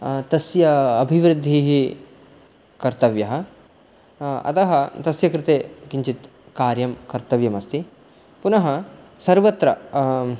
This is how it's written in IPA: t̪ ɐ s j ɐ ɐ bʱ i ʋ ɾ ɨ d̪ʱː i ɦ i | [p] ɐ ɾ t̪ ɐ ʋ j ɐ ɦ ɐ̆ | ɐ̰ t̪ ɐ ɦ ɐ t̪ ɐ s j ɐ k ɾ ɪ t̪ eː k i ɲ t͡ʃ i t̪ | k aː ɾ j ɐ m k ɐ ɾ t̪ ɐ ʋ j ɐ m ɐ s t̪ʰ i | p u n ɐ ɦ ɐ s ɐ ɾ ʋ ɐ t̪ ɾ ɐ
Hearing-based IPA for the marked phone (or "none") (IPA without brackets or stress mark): k